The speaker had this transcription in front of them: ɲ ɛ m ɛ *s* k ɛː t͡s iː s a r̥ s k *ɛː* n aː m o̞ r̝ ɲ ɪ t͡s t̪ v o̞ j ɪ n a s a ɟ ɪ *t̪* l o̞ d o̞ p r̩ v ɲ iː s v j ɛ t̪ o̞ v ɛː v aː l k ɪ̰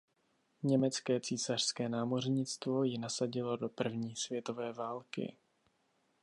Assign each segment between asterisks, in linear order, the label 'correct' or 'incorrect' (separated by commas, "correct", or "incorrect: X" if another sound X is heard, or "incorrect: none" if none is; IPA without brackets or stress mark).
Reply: incorrect: t͡s, correct, incorrect: none